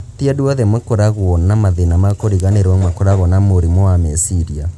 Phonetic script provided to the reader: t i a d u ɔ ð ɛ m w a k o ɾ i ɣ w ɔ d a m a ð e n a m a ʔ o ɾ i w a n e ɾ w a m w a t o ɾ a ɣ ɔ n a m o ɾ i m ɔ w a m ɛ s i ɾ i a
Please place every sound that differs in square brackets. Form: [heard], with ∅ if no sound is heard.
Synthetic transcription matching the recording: t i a d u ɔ ð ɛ m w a k o ɾ [a] ɣ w ɔ [n] a m a ð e n a m a [k] o ɾ i [ɣ] a n e ɾ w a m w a [k] o ɾ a ɣ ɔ n a m o ɾ i m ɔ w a m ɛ s i ɾ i a